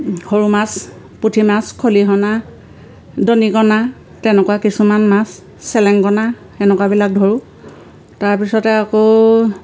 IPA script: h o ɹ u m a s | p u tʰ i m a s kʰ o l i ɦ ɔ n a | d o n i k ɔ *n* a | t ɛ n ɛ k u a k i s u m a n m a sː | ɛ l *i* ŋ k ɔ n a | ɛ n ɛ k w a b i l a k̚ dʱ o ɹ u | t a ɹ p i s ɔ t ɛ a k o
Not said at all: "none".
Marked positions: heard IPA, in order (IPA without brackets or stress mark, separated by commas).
n, ɛ